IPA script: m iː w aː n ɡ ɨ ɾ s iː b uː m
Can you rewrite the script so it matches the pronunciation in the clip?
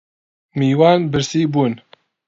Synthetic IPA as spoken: m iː w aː n b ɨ ɾ s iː b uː n